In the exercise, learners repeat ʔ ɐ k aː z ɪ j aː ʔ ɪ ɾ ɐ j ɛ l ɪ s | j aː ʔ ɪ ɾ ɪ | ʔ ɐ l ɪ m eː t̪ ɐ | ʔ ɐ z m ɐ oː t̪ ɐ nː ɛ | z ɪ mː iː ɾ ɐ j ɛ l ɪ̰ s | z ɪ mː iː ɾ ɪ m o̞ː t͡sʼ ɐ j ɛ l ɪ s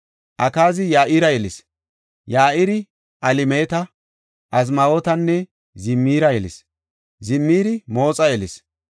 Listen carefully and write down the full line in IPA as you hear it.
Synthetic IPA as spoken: ʔ ɐ k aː z ɪ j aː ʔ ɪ ɾ ɐ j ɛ l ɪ s | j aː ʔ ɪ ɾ ɪ | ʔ ɐ l ɪ m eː t̪ ɐ | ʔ ɐ z m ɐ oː t̪ ɐ nː ɛ | z ɪ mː iː ɾ ɐ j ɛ l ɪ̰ s | z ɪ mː iː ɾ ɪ m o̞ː t͡sʼ ɐ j ɛ l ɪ s